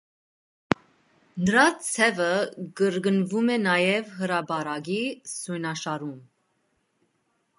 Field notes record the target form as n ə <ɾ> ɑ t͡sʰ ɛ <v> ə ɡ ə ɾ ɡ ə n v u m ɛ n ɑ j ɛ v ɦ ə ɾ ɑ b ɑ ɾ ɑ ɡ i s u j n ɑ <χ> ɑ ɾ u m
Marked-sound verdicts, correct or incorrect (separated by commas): correct, correct, incorrect